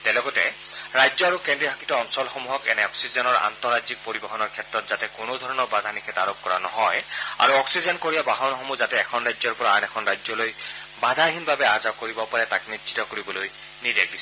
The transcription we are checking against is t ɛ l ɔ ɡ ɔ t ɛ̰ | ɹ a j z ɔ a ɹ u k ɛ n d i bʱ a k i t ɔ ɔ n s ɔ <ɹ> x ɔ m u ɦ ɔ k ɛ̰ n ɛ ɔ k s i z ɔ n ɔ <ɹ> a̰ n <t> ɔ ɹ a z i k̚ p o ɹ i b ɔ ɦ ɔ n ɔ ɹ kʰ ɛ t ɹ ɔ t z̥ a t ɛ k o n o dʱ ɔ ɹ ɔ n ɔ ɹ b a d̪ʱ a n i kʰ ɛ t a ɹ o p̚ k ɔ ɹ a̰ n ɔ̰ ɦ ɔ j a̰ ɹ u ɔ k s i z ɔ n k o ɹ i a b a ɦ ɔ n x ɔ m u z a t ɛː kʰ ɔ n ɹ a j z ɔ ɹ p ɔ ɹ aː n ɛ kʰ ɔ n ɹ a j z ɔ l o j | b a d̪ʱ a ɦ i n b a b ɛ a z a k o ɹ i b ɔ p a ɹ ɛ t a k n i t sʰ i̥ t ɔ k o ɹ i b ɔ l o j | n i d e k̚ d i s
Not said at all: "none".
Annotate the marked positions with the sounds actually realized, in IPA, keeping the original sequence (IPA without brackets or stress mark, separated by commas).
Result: l, ɹ, t